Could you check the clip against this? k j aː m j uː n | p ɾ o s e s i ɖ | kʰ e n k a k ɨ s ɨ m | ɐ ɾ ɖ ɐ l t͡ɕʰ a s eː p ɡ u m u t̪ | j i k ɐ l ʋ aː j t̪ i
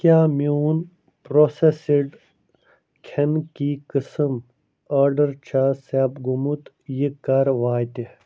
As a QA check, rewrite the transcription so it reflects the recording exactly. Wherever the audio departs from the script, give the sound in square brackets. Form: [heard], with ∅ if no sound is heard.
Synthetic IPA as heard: k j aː m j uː n | p ɾ o s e s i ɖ | kʰ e n k [i] k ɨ s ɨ m | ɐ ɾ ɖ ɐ [ɾ] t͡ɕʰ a s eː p ɡ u m u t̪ | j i k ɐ [ɾ] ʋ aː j t̪ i